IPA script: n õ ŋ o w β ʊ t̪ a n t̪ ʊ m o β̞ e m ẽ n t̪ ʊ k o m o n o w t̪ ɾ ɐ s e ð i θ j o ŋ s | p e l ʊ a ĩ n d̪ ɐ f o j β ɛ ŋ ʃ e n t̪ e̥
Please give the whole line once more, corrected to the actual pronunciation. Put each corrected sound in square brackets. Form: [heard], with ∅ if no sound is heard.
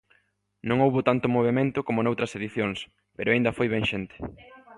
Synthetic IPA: n õ ŋ o w β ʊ t̪ a n t̪ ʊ m o β̞ e m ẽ n t̪ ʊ k o m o n o w t̪ ɾ ɐ s e ð i θ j o ŋ s | p e [ɾ] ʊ a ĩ n d̪ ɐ f o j β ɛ ŋ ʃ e n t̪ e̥